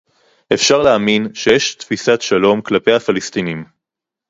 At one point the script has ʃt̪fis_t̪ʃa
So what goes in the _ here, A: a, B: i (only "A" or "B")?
A